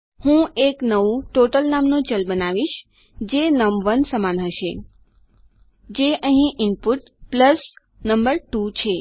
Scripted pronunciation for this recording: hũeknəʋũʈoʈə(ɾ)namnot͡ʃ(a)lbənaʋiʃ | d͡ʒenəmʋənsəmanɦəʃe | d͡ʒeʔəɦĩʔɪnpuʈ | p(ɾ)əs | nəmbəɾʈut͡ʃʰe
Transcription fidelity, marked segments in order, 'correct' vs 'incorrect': incorrect, incorrect, incorrect

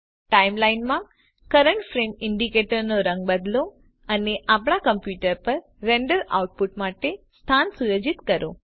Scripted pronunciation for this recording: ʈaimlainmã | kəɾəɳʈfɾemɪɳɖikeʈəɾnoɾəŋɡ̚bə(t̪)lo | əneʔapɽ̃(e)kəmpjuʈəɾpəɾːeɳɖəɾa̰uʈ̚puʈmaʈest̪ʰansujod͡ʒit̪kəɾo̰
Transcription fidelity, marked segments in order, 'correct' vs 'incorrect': incorrect, incorrect

